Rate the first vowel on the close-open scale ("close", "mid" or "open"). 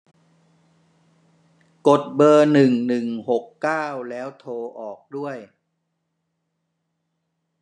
mid